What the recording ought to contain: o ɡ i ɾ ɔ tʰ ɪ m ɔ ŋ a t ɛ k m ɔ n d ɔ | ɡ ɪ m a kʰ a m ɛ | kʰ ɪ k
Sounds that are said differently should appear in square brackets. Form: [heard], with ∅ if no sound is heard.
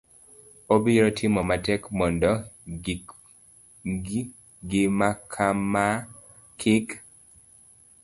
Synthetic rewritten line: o [b] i ɾ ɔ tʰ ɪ m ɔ [m] a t ɛ k m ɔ n d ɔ | ɡ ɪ m a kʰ a m [a] | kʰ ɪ k